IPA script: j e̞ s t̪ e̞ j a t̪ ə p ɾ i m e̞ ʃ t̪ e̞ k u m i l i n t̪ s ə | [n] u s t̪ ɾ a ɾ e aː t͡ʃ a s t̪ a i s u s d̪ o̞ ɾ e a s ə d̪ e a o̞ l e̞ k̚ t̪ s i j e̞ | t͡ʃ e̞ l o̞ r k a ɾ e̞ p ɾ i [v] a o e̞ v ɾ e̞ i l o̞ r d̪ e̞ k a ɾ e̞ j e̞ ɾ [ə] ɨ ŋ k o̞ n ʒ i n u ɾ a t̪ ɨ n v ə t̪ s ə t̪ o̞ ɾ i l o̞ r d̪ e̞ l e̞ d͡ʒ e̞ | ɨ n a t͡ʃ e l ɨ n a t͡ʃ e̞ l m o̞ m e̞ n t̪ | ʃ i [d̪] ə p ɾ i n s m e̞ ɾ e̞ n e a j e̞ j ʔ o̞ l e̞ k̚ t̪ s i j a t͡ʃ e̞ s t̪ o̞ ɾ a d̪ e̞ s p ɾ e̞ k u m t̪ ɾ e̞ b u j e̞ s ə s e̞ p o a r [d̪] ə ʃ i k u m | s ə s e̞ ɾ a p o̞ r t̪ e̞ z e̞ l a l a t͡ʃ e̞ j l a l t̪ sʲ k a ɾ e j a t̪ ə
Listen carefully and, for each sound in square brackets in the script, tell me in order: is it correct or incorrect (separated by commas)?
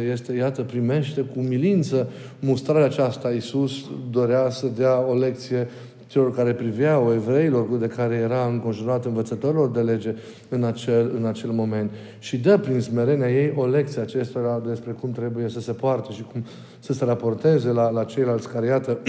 incorrect, correct, incorrect, correct, incorrect